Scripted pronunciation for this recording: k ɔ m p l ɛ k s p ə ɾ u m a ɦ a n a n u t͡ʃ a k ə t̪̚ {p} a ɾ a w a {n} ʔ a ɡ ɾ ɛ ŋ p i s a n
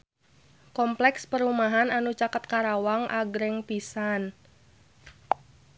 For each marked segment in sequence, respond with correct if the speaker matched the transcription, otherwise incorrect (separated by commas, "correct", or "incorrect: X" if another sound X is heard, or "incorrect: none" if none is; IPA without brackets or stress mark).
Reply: incorrect: k, incorrect: ŋ